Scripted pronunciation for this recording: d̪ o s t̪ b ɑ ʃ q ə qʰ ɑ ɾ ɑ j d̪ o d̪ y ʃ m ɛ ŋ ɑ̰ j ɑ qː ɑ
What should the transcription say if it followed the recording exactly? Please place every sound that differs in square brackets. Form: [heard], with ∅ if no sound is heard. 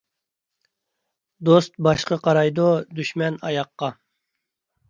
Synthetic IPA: d̪ o s t̪ b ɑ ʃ q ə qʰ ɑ ɾ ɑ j d̪ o d̪ y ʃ m ɛ [n] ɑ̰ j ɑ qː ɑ